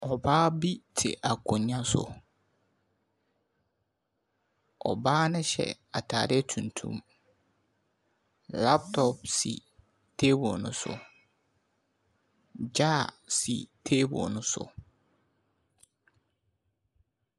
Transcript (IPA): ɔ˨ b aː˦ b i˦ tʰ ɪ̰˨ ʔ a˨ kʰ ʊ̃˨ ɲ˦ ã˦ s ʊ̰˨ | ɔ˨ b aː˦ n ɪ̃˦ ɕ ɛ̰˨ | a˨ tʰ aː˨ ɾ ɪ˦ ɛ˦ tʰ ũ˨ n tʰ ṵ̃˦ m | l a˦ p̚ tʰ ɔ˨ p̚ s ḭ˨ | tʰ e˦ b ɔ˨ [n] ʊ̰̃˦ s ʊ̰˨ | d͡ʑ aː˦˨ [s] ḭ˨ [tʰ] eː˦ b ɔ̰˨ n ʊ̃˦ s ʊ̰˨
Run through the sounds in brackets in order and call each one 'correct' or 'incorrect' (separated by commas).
correct, correct, correct